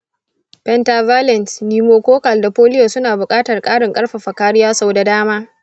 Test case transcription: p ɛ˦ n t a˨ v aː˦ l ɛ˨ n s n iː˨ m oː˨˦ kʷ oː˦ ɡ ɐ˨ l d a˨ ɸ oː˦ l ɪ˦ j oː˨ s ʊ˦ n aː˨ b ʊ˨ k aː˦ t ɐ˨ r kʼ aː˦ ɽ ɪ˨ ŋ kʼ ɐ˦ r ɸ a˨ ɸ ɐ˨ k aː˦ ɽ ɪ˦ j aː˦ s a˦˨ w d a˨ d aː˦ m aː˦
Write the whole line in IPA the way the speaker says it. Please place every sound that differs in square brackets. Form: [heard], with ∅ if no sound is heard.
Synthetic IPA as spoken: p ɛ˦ n t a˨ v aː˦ l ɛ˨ n s n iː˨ m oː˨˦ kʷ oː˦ [k] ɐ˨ l d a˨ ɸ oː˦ l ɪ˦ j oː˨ s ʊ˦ n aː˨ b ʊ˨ [kʼ] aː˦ t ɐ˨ r kʼ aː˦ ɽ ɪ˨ ŋ kʼ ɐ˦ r ɸ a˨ ɸ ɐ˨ k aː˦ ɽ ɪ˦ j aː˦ s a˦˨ w d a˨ d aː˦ m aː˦